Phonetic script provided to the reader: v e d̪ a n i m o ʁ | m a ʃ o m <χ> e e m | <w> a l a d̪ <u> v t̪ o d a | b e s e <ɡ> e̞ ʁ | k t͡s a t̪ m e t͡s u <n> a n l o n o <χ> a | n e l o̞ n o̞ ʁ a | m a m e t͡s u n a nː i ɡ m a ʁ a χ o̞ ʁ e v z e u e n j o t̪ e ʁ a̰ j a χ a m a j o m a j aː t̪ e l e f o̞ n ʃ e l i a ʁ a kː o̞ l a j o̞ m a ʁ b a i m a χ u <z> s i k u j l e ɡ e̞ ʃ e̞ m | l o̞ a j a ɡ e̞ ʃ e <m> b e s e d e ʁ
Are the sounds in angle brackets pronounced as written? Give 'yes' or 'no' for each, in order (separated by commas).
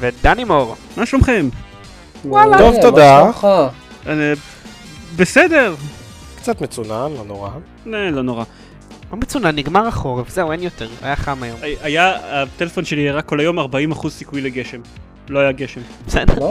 yes, yes, no, no, yes, no, yes, yes